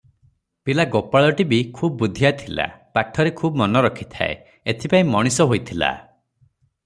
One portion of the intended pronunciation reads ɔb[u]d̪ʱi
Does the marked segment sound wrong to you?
no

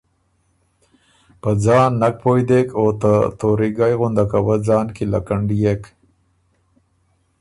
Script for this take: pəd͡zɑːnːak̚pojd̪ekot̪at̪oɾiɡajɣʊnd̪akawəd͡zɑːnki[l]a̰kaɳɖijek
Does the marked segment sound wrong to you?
no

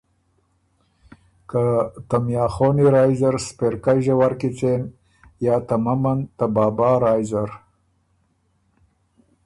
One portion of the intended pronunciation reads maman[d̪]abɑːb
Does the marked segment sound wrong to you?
yes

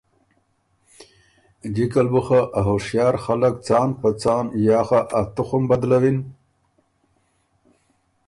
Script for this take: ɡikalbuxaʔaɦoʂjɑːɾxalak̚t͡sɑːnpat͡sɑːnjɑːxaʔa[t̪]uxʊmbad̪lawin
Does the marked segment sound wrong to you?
no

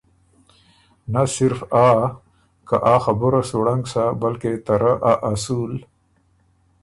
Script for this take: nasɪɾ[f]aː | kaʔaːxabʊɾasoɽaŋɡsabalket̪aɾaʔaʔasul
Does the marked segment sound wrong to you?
no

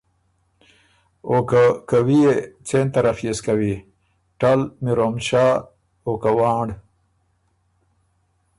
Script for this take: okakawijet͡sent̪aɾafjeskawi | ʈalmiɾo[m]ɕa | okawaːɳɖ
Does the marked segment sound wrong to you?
no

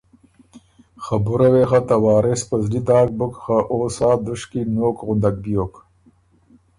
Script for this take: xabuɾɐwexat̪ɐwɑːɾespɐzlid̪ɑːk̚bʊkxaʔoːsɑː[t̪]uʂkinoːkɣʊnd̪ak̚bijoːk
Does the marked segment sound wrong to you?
yes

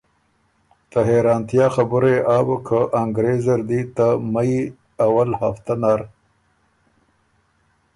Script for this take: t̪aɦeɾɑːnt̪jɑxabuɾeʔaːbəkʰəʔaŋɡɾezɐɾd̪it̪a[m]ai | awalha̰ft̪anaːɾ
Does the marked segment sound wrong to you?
no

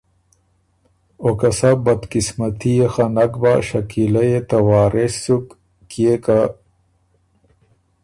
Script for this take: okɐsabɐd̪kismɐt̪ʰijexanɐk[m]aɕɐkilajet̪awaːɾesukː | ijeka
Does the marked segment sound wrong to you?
yes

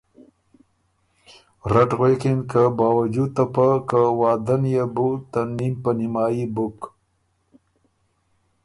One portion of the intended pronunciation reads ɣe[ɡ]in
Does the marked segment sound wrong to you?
yes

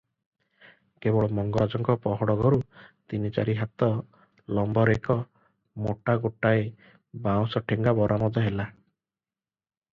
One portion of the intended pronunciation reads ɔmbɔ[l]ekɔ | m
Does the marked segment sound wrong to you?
yes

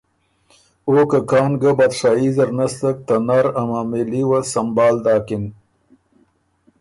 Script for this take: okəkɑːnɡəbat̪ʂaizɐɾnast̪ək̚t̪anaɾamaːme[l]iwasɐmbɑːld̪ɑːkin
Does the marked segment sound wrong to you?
no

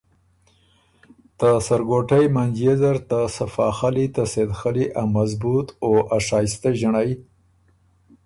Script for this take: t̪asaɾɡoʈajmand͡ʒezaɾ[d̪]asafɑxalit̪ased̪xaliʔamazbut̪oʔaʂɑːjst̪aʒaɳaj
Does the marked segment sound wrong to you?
yes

